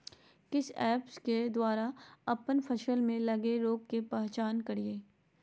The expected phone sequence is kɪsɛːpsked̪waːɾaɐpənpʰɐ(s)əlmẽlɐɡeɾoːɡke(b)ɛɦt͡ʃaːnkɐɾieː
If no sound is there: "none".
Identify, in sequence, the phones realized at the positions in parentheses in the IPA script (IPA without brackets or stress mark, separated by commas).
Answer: ʃ, p